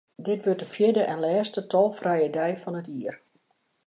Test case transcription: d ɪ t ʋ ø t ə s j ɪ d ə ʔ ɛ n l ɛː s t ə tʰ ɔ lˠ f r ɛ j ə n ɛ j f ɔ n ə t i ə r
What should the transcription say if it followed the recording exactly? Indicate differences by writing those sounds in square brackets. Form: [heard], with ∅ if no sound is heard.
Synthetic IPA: d ɪ t ʋ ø t ə [f] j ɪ d ə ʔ ɛ n l ɛː s t ə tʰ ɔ lˠ f r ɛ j ə [d] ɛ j f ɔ n ə t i ə r